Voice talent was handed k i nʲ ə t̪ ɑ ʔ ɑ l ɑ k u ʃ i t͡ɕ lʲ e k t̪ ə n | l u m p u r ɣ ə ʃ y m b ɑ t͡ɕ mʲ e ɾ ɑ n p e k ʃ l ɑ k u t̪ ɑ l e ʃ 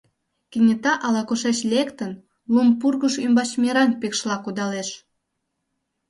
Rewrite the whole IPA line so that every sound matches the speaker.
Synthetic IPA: k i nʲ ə t̪ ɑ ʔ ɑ l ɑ k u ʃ e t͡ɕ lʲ e k t̪ ə n | l u m p u r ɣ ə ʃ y m b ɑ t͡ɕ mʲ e ɾ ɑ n p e k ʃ l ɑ k u d̪ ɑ l e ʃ